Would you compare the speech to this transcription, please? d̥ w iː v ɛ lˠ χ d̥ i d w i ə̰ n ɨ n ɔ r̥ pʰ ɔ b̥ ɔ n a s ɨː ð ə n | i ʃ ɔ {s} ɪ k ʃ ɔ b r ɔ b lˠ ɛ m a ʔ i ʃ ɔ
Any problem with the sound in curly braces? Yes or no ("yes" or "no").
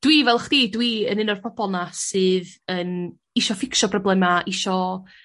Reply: yes